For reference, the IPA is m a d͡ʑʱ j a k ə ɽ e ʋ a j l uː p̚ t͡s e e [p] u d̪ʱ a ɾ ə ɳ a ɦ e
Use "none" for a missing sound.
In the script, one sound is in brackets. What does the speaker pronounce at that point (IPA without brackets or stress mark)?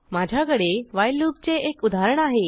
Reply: k